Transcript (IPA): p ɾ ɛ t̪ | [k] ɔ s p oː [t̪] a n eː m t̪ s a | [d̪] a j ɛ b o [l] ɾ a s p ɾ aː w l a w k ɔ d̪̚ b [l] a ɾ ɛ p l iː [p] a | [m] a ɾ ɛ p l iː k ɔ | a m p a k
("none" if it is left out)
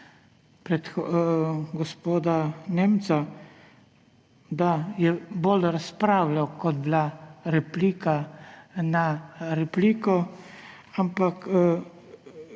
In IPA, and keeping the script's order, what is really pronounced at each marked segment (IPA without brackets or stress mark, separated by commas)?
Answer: ɡ, d̪, d̪, l, l, k, n